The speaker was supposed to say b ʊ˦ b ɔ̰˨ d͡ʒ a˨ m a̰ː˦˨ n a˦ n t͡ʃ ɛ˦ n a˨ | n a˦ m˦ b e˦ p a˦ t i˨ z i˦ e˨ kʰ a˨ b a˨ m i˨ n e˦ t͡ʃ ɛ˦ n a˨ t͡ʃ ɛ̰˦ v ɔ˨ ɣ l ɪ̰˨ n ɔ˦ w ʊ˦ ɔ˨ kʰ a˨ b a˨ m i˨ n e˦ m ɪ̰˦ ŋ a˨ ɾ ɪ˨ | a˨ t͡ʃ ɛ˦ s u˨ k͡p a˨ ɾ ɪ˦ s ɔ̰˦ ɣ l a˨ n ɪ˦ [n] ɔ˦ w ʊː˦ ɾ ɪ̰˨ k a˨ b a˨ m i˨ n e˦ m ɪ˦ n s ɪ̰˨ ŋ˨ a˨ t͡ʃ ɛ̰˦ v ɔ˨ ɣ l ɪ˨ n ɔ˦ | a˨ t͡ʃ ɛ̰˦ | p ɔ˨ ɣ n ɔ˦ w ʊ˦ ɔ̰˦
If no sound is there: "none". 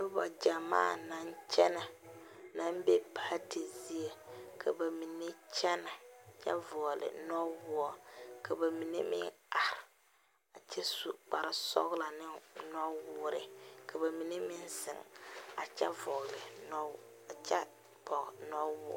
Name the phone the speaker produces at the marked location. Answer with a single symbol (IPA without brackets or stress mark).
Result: n